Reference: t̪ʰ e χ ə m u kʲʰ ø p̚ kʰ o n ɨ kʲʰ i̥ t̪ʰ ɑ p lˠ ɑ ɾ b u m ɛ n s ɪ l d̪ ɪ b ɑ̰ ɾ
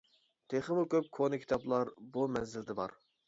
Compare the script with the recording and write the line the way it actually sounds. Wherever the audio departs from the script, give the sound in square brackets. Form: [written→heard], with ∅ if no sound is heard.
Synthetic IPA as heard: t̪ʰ e χ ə m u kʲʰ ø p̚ kʰ o n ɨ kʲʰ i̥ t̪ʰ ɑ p lˠ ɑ ɾ b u m ɛ n [s→z] ɪ l d̪ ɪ b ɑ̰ ɾ